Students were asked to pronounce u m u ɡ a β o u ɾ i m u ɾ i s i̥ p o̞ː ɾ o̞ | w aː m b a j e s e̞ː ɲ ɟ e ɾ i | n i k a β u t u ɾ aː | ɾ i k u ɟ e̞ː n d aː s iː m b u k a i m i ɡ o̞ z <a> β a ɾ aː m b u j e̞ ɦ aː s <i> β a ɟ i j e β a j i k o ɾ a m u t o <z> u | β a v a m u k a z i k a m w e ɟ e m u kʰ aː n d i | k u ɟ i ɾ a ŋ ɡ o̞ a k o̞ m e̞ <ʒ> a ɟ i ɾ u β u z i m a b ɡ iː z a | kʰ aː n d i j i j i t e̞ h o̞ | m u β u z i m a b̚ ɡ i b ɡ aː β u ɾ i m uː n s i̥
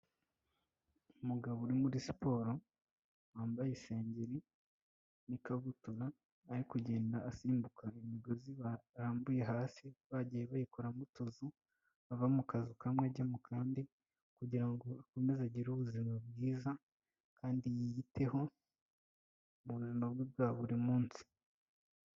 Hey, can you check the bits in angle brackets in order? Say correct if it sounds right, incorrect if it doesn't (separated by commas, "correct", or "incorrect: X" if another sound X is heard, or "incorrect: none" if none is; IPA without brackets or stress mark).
incorrect: i, correct, correct, incorrect: z